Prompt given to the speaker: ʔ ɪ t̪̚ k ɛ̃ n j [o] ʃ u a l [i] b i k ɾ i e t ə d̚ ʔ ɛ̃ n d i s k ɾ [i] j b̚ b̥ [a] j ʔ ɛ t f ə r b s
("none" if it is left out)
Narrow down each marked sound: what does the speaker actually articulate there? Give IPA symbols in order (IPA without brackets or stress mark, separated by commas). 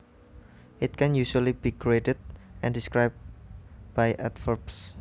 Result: u, i, a, a